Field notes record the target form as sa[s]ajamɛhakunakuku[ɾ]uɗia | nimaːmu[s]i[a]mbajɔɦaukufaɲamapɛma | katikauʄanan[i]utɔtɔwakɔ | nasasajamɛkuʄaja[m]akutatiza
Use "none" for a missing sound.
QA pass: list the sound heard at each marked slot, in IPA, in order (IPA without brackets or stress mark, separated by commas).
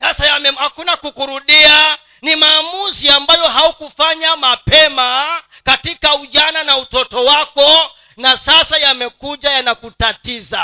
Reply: s, ɾ, z, a, a, n